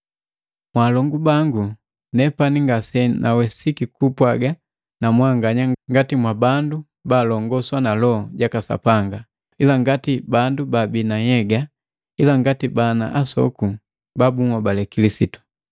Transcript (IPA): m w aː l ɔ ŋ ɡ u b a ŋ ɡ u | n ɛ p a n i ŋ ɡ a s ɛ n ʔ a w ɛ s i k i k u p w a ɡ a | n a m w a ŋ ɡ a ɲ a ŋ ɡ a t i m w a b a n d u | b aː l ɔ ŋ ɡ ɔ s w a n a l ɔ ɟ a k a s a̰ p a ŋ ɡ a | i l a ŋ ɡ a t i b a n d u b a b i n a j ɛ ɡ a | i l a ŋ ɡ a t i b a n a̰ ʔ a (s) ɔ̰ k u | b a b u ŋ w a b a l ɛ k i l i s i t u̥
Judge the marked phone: correct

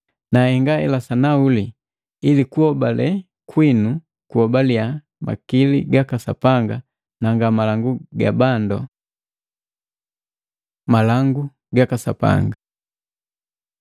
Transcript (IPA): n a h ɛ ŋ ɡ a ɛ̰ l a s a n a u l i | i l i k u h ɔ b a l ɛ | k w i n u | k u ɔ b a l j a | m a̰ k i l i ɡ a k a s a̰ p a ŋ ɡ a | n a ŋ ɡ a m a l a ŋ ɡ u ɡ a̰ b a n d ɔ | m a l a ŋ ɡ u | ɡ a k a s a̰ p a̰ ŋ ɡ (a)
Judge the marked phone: correct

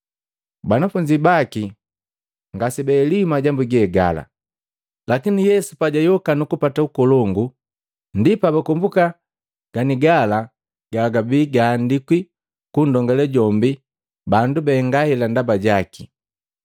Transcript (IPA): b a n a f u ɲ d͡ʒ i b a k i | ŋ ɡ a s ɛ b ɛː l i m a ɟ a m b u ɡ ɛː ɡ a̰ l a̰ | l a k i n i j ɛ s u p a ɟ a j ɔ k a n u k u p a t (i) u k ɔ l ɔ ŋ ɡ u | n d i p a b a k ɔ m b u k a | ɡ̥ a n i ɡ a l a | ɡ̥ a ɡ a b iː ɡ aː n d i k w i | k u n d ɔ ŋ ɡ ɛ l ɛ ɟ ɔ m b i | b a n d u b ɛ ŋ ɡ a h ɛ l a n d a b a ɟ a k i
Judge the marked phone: incorrect: a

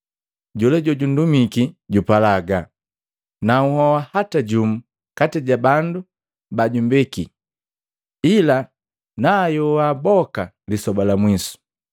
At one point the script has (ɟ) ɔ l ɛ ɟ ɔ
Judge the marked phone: correct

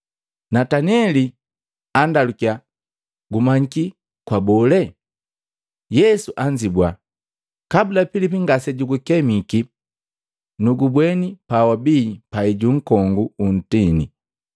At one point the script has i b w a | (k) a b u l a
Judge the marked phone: correct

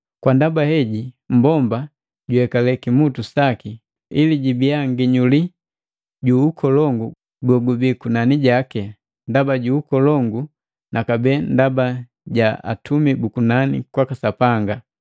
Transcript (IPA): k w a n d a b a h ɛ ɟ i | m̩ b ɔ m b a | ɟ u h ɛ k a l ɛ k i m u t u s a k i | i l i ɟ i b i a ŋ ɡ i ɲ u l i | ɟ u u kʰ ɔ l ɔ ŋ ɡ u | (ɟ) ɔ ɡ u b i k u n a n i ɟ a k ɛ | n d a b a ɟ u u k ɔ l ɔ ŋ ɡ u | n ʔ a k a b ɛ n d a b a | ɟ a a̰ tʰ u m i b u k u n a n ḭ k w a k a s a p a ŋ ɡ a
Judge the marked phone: incorrect: ɡ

